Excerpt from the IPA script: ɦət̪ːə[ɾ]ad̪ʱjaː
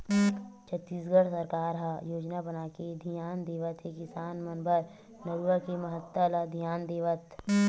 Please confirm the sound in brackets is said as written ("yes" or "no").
no